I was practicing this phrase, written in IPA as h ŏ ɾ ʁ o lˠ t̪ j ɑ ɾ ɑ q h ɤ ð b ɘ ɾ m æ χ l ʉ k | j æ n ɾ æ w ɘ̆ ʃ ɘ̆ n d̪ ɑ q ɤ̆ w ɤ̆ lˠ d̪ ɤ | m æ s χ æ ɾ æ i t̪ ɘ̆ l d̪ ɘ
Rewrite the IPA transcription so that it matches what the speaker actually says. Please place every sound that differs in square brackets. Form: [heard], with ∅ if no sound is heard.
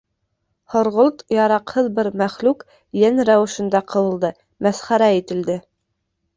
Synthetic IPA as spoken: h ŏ ɾ ʁ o lˠ t̪ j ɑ ɾ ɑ q h ɤ ð b ɘ ɾ m æ χ l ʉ k | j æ n ɾ æ w ɘ̆ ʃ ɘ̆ n d̪ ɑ q ɤ̆ w ɤ̆ lˠ d̪ ɤ | m æ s χ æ ɾ æ i t̪ ɘ̆ l d̪ ɘ